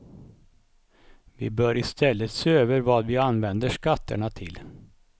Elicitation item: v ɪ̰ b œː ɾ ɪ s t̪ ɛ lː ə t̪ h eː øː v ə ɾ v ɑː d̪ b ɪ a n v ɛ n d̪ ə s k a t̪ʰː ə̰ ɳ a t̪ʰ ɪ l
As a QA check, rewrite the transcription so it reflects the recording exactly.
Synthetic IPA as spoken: v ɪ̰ b œː ɾ ɪ s t̪ ɛ lː ə t̪ s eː øː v ə ɾ v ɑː d̪ v ɪ a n v ɛ n d̪ ə ʂ k a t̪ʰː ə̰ ɳ a t̪ʰ ɪ l